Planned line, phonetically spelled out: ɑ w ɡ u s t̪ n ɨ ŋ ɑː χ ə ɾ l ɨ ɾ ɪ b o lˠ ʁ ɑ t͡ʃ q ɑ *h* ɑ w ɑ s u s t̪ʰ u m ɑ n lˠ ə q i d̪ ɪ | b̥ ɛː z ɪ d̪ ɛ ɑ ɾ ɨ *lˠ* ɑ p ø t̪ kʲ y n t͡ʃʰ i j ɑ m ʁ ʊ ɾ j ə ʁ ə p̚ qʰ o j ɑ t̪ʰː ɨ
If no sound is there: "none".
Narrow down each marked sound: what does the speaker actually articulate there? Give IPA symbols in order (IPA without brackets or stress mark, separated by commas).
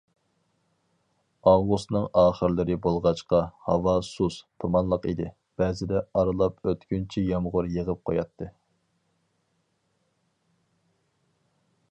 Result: h, lˠ